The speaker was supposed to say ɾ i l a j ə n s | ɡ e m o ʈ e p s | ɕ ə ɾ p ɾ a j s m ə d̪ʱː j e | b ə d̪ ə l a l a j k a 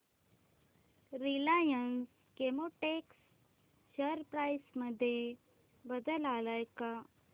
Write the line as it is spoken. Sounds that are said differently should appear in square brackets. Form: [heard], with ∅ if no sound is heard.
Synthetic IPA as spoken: ɾ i l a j ə n s | [k] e m o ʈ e [k] s | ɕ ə ɾ p ɾ a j s m ə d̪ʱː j e | b ə d̪ ə l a l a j k a